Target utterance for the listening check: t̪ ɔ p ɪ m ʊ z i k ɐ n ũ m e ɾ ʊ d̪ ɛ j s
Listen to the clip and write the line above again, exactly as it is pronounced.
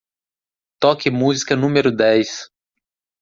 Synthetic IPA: t̪ ɔ k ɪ m u z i k ɐ n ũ m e ɾ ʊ d̪ ɛ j s